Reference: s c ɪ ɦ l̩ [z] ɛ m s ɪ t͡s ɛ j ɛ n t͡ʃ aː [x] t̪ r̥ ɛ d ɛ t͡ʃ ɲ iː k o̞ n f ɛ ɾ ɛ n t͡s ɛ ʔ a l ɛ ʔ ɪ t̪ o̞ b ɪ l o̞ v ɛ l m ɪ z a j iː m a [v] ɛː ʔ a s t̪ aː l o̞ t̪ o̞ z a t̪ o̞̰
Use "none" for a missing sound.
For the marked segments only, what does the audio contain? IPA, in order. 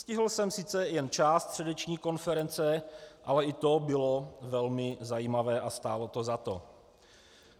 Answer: s, s, v

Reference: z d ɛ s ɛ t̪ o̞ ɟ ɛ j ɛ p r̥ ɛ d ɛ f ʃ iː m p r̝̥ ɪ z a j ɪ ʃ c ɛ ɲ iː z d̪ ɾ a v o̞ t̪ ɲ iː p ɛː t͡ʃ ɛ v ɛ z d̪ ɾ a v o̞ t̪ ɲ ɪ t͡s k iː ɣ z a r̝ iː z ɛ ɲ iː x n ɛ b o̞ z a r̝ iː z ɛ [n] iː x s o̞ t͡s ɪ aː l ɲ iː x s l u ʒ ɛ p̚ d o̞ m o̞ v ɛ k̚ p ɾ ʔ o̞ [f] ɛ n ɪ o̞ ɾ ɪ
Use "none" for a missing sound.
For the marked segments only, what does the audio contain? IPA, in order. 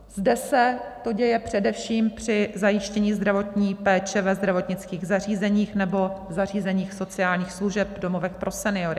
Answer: ɲ, s

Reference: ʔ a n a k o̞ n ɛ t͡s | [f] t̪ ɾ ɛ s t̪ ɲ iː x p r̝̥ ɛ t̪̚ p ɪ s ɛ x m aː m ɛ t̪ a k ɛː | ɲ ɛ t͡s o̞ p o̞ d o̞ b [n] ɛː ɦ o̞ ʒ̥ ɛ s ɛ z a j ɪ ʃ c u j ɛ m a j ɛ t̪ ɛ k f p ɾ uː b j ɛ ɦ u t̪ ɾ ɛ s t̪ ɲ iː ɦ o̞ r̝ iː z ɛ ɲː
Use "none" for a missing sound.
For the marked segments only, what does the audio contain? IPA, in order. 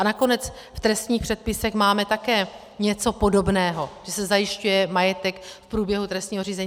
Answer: f, n

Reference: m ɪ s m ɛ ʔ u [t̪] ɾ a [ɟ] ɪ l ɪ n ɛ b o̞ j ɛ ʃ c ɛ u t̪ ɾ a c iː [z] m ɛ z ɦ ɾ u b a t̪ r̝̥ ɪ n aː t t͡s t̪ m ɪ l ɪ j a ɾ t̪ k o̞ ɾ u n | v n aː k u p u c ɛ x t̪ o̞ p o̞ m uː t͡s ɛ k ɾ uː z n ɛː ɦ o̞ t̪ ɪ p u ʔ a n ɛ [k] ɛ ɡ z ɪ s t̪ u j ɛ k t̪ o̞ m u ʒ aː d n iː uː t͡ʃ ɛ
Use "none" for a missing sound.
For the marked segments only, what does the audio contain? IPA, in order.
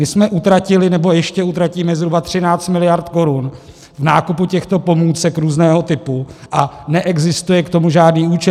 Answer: t̪, c, none, ʔ

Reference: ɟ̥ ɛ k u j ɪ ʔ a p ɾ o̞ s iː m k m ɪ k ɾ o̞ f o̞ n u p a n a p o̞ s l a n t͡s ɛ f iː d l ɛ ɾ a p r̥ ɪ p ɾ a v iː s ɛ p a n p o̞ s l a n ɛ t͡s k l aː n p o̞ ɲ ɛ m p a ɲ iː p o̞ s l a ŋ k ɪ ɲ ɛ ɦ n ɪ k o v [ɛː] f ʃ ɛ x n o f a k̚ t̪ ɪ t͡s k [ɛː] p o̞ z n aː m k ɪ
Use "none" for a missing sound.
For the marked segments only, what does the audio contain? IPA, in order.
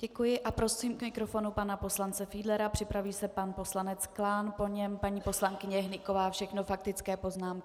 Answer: aː, ɛː

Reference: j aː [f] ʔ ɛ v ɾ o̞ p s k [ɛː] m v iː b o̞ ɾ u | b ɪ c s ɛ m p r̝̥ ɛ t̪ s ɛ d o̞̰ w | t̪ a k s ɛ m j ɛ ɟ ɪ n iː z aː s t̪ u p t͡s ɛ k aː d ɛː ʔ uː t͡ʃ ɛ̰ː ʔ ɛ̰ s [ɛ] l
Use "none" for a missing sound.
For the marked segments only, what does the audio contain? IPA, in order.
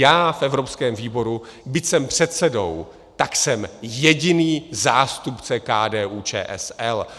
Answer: f, ɛː, ɛ

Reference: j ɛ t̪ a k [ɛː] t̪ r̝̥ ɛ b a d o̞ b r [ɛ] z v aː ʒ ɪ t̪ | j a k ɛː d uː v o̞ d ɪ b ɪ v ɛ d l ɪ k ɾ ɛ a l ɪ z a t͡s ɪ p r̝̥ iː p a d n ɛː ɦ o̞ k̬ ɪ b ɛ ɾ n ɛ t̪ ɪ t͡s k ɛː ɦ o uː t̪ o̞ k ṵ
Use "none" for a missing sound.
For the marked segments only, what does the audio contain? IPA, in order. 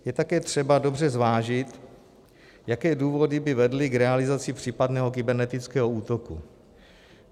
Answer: ɛː, ɛ

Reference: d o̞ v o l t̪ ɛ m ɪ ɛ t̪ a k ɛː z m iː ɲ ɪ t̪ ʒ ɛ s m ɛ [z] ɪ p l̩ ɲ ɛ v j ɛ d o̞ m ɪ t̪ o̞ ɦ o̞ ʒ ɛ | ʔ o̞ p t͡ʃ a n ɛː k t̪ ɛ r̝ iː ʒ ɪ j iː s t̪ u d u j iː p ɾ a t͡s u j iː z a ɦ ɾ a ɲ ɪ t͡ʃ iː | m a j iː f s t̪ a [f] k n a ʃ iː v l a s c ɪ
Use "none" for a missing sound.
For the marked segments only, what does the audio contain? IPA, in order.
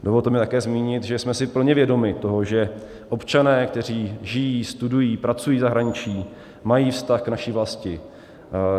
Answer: s, x

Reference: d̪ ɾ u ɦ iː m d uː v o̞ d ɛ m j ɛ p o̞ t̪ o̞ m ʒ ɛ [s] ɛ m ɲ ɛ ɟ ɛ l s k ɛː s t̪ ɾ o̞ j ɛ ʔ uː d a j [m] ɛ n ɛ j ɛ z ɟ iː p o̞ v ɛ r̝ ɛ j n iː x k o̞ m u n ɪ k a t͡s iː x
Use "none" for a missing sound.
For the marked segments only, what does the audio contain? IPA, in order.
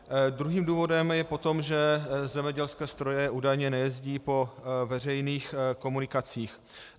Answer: z, ɲ

